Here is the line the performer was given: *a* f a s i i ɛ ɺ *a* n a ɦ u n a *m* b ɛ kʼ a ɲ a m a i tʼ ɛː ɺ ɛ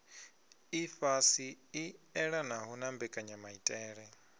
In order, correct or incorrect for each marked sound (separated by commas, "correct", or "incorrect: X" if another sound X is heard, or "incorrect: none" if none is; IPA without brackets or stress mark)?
incorrect: i, correct, correct